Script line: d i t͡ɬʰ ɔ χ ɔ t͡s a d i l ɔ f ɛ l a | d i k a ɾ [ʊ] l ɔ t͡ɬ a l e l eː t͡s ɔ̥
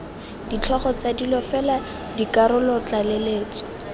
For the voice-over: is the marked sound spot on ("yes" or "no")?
yes